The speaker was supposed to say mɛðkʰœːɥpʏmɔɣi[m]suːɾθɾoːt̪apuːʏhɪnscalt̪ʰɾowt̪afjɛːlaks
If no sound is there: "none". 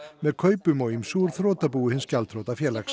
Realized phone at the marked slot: m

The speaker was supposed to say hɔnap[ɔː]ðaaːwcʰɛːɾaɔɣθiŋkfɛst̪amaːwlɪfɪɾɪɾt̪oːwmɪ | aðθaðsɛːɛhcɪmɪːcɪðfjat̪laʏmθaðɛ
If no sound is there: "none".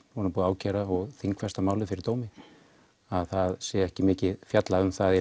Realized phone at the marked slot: uː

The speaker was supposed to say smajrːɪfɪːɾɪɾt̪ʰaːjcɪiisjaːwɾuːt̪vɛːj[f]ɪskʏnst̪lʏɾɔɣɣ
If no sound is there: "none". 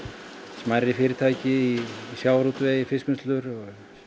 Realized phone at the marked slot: f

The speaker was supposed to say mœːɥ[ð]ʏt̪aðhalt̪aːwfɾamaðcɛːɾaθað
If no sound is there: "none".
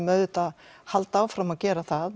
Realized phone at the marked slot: ð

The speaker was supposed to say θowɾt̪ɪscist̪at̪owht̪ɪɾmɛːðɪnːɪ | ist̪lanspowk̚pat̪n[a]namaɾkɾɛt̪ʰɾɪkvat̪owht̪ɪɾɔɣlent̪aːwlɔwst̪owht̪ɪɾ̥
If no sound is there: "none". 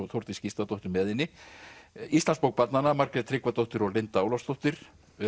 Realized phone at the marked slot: a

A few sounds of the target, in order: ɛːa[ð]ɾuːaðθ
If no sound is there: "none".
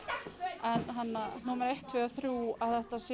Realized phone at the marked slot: θ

